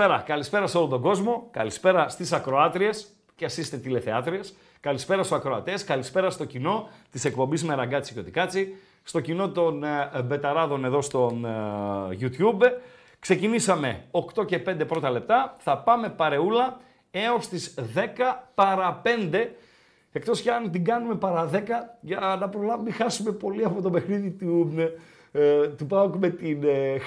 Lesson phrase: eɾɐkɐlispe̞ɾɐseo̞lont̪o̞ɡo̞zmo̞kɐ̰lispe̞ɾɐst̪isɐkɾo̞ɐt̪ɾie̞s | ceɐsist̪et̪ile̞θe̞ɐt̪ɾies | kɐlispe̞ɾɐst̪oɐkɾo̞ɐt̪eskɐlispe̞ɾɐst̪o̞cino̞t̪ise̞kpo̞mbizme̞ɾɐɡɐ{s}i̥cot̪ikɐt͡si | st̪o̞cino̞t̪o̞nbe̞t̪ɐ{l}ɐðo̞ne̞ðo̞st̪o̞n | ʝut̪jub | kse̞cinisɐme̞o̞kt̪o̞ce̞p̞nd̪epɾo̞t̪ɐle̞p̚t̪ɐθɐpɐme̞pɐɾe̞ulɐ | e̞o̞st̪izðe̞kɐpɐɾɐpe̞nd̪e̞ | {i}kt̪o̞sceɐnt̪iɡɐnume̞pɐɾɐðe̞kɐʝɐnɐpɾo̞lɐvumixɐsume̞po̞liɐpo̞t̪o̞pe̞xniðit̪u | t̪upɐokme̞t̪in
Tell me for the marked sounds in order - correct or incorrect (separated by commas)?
incorrect, incorrect, incorrect